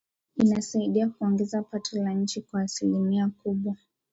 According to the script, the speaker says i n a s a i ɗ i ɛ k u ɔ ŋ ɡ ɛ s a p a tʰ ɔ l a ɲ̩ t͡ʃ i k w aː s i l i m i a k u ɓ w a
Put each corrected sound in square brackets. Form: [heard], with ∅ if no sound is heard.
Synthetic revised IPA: i n a s a i ɗ i [a] k u ɔ ŋ ɡ ɛ [z] a p a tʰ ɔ l a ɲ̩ t͡ʃ i k w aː s i l i m i a k u ɓ w a